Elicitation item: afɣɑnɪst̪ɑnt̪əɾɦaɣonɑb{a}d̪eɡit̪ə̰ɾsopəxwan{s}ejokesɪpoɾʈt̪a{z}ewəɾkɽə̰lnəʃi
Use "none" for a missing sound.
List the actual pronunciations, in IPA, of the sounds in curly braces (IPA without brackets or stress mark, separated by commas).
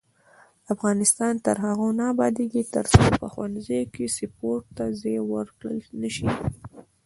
ɑ, z, z